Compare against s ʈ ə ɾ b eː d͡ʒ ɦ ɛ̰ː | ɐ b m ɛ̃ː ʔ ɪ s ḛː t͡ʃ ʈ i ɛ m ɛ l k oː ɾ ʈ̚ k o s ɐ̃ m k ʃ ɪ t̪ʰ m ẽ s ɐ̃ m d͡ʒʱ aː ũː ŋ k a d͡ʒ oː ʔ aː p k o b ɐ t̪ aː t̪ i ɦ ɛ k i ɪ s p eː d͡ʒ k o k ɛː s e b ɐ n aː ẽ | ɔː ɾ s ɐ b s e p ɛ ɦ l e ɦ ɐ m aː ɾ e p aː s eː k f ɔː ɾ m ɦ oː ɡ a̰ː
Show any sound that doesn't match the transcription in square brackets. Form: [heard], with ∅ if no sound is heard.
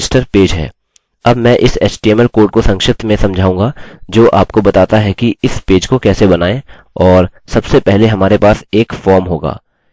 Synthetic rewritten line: s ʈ ə ɾ [p] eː d͡ʒ ɦ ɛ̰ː | ɐ b m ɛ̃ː ʔ ɪ s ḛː t͡ʃ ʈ i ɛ m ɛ l k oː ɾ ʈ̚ k o s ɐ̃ [ŋ] k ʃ ɪ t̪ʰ m ẽ s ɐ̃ m d͡ʒʱ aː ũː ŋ [ɡ] a d͡ʒ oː ʔ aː p k o b ɐ t̪ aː t̪ [a] ɦ ɛ k i ɪ s p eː d͡ʒ k o k ɛː s e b ɐ n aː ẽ | ɔː ɾ s ɐ b s e p ɛ ɦ l e ɦ ɐ m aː ɾ e p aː s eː k f ɔː ɾ m ɦ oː ɡ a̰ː

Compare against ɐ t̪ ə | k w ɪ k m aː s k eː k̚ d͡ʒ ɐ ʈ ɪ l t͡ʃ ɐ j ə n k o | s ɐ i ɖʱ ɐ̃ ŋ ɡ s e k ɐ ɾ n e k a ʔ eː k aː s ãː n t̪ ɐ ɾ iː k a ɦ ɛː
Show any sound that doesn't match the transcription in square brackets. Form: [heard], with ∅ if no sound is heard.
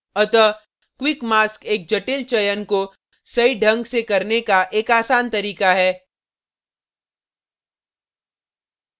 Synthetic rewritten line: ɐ t̪ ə | k w ɪ k m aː s k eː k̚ d͡ʒ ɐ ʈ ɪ l t͡ʃ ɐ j ə n k o | s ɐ i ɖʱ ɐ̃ ŋ ɡ s e k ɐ ɾ n e k a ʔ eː k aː s [aː] n t̪ ɐ ɾ iː k a ɦ ɛː

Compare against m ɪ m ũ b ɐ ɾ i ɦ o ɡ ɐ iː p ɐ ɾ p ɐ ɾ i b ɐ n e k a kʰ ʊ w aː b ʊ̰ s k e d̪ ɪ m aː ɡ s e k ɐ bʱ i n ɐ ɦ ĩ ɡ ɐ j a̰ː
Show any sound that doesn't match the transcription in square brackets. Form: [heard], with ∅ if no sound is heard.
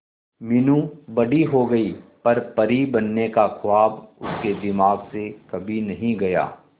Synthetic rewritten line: m ɪ [n] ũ b ɐ [ɽ] i ɦ o ɡ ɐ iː p ɐ ɾ p ɐ ɾ i b ɐ [nː] e k a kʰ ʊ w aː b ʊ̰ s k e d̪ ɪ m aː ɡ s e k ɐ bʱ i n ɐ ɦ ĩ ɡ ɐ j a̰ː

